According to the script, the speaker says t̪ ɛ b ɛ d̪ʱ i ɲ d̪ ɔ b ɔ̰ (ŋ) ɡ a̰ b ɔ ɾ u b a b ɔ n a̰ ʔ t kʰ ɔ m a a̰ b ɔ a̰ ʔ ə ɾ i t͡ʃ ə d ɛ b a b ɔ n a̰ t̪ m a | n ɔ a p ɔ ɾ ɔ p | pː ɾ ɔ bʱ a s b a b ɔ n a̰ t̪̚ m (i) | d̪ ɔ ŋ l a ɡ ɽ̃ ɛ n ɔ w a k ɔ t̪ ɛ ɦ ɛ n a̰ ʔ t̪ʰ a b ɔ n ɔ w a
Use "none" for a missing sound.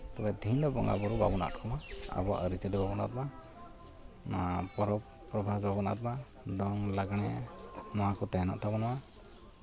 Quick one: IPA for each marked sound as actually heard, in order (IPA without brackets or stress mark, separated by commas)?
ŋ, a